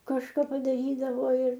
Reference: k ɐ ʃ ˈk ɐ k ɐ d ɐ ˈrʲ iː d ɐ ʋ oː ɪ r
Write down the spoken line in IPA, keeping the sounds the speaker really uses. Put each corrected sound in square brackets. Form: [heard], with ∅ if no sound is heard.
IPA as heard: k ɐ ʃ ˈk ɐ [p] ɐ d ɐ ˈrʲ iː d ɐ ʋ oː ɪ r